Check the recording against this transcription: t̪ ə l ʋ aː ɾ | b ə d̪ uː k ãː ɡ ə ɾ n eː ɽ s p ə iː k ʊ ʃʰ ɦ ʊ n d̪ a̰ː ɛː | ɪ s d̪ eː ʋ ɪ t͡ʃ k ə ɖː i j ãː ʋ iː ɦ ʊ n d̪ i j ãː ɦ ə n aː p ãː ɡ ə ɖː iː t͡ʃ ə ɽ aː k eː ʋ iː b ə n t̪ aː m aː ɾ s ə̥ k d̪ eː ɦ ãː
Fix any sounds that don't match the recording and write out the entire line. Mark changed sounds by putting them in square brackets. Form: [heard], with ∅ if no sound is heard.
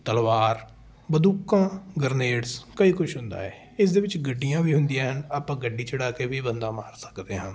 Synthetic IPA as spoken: t̪ ə l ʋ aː ɾ | b ə d̪ uː k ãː ɡ ə ɾ n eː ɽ s [k] ə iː k ʊ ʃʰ ɦ ʊ n d̪ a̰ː ɛː | ɪ s d̪ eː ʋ ɪ t͡ʃ [ɡ] ə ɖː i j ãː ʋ iː ɦ ʊ n d̪ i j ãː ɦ ə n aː p ãː ɡ ə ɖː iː t͡ʃ ə ɽ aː k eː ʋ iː b ə n [d̪] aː m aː ɾ s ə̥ k d̪ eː ɦ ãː